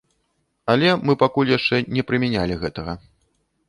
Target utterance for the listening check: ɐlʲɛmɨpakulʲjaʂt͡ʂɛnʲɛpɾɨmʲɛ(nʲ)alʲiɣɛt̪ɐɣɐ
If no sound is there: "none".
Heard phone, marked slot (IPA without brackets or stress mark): nʲ